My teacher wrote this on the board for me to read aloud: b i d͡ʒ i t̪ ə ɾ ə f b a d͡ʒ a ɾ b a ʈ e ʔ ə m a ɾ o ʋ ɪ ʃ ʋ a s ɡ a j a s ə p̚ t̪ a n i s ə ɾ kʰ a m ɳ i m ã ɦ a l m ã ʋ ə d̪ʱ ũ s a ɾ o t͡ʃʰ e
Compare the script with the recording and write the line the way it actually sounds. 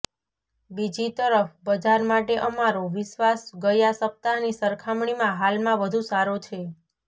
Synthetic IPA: b i d͡ʒ i t̪ ə ɾ ə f b ə d͡ʒ a ɾ m a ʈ e ʔ ə m a ɾ o ʋ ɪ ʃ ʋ a s ɡ ə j a s ə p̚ t̪ a n i s ə ɾ kʰ a m ɳ i m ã ɦ a l m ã ʋ ə d̪ʱ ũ s a ɾ o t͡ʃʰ e